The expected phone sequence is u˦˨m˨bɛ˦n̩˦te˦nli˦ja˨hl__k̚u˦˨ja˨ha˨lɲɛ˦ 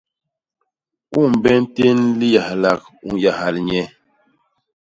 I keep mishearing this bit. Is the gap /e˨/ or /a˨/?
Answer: a˨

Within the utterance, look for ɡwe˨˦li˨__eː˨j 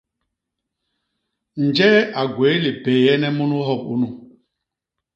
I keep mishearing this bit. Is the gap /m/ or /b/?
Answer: b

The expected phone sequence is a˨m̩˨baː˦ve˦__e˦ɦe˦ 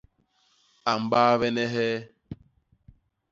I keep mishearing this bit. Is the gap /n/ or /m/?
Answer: n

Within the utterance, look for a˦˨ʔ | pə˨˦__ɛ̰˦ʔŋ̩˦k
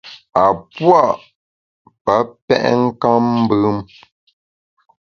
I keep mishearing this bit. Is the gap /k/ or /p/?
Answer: p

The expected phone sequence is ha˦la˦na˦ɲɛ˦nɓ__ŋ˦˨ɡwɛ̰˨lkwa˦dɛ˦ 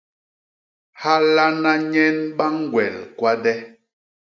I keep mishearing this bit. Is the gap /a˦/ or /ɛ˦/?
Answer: a˦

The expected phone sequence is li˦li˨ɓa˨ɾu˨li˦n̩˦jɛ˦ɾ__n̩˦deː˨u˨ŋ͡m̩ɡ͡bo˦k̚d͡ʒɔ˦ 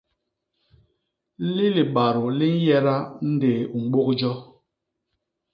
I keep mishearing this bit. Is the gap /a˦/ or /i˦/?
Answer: a˦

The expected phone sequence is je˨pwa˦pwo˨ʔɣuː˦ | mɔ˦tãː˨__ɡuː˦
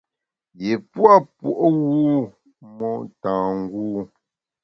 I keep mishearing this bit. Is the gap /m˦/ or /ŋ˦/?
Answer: ŋ˦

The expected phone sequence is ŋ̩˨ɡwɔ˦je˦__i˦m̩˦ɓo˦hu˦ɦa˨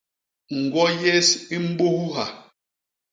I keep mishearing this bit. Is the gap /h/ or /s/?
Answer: s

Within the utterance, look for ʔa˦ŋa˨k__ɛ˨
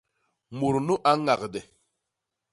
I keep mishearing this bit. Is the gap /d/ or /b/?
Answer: d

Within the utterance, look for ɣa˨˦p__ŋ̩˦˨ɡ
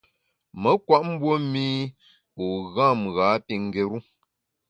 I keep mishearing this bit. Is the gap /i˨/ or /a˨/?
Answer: i˨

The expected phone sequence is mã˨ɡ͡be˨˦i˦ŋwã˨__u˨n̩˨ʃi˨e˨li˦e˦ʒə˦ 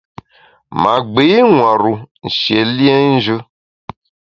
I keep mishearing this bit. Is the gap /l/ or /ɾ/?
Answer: ɾ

